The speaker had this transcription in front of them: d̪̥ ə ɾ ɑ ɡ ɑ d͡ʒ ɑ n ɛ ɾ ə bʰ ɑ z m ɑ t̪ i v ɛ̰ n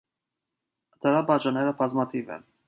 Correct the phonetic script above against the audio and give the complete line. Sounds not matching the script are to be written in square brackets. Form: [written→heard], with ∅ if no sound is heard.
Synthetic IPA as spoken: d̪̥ ə ɾ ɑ [ɡ→b] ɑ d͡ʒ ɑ n ɛ ɾ ə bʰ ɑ z m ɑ [t̪→t̪ʰ] i v ɛ̰ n